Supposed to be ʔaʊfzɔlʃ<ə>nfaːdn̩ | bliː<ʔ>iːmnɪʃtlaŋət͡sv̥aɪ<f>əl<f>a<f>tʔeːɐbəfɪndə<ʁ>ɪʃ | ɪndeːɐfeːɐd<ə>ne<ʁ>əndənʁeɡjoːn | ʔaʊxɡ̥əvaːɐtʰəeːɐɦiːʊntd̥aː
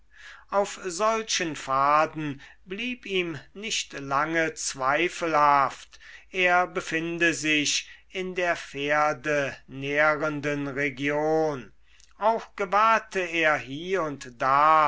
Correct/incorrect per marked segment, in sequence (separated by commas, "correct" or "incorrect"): correct, incorrect, correct, incorrect, correct, incorrect, correct, correct